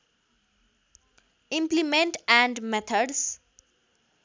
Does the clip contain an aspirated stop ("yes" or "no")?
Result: yes